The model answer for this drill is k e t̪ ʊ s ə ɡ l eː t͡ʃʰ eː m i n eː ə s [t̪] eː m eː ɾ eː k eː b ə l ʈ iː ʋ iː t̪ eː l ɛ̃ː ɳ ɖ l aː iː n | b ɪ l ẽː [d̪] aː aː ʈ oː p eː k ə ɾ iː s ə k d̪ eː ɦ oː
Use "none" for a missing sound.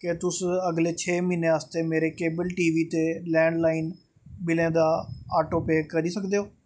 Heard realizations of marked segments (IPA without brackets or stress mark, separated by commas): t̪, d̪